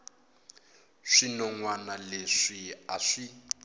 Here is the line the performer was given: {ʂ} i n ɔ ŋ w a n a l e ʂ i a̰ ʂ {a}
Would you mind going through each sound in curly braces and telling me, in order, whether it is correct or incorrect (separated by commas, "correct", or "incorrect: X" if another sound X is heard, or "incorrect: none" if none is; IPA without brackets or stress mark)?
correct, incorrect: i